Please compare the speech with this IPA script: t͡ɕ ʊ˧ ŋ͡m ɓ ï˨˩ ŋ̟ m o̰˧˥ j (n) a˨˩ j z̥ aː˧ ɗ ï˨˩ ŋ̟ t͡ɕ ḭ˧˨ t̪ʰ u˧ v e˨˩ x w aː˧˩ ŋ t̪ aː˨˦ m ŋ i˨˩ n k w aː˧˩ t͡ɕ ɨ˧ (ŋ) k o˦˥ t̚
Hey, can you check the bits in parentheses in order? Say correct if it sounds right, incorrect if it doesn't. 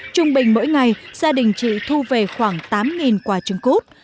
incorrect: ŋ, correct

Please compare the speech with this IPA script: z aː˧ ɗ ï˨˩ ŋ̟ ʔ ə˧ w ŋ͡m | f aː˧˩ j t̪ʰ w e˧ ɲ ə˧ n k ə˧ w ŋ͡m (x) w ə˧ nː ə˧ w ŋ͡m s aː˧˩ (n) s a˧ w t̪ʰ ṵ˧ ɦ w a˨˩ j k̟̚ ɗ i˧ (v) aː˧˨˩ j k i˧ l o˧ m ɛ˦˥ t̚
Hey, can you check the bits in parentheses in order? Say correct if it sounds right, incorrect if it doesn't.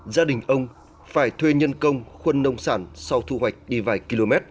correct, correct, correct

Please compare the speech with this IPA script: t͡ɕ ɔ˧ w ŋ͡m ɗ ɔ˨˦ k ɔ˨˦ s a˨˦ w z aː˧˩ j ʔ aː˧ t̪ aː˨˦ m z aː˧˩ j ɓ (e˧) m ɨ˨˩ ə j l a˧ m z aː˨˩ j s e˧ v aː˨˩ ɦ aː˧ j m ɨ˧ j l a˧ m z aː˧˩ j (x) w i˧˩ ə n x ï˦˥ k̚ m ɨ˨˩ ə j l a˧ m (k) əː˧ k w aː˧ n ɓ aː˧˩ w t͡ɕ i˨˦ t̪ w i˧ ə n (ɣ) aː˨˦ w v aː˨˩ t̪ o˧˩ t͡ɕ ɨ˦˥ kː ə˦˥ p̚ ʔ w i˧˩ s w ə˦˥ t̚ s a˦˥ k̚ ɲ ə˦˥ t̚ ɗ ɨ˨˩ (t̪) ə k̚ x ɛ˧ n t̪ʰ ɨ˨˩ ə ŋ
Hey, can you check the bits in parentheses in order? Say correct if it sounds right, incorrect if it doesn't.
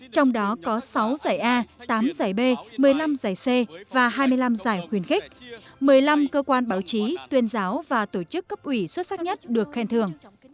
correct, correct, correct, incorrect: z, incorrect: none

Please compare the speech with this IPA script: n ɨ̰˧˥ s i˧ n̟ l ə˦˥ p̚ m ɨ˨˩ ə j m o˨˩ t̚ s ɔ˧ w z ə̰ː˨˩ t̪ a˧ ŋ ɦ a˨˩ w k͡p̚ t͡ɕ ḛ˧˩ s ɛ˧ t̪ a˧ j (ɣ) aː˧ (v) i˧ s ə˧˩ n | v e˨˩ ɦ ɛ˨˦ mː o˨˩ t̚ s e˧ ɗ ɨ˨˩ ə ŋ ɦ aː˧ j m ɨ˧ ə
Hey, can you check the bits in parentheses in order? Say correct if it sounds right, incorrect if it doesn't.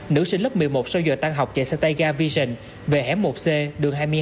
correct, correct

